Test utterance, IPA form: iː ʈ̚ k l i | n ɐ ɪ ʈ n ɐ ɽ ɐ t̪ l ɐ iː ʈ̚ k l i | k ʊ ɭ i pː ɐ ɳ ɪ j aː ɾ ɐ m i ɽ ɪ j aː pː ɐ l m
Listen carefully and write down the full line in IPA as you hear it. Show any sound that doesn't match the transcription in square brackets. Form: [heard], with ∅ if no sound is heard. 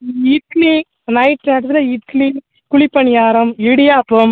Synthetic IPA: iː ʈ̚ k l i | n ɐ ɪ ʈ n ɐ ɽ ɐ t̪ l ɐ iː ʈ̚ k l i | k ʊ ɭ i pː ɐ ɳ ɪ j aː ɾ ɐ m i ɽ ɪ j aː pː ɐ [∅] m